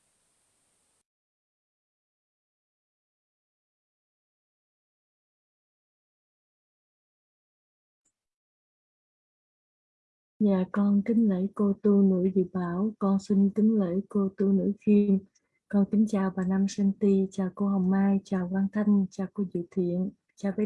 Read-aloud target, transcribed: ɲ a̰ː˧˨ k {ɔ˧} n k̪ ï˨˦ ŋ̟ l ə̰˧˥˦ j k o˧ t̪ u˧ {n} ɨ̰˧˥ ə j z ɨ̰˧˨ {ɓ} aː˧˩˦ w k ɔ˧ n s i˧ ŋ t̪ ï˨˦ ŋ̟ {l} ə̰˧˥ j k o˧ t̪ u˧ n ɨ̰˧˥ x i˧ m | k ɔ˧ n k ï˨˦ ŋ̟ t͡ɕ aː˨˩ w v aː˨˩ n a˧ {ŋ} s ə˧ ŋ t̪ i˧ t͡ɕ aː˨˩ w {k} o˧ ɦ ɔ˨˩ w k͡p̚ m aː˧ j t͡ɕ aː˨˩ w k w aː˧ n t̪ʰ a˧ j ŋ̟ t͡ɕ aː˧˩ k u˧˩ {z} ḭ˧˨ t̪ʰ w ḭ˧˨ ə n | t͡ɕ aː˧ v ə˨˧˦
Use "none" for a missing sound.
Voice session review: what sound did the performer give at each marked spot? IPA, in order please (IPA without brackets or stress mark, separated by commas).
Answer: ɔ˧, n, ɓ, l, m, k, z